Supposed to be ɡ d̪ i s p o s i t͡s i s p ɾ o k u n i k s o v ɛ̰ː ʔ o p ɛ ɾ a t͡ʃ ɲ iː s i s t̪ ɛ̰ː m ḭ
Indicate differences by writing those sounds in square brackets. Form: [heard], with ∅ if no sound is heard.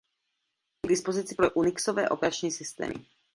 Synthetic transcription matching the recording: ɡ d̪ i s p o [z] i t͡s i [∅] p ɾ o [ʔ] u n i k s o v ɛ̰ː ʔ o p ɛ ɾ a t͡ʃ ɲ iː s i s t̪ ɛ̰ː m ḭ